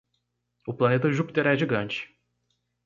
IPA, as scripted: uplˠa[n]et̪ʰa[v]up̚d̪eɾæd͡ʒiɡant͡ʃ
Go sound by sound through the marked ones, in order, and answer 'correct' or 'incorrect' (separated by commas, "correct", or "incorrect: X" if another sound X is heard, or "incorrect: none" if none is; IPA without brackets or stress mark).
correct, incorrect: ʒ